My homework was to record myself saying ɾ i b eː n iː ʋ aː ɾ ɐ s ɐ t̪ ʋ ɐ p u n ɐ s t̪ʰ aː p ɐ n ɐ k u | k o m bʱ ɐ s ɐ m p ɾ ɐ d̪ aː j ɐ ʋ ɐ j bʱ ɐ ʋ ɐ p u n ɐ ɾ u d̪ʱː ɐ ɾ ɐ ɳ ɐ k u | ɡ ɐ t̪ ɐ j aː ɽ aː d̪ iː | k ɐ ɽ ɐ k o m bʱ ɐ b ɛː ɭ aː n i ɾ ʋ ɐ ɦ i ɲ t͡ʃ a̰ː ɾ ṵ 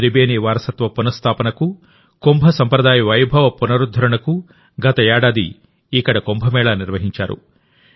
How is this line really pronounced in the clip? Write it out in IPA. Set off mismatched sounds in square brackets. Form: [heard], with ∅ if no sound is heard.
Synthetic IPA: ɾ i b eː n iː ʋ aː ɾ ɐ s ɐ t̪ ʋ ɐ p u n ɐ s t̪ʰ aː p ɐ n ɐ k u | k o m bʱ ɐ s ɐ m p ɾ ɐ d̪ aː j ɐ ʋ ɐ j bʱ ɐ ʋ ɐ p u n ɐ ɾ u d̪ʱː ɐ ɾ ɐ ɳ ɐ k u | ɡ ɐ t̪ ɐ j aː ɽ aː d̪ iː | k ɐ ɽ ɐ k o m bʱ ɐ [m] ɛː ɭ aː n i ɾ ʋ ɐ ɦ i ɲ t͡ʃ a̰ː ɾ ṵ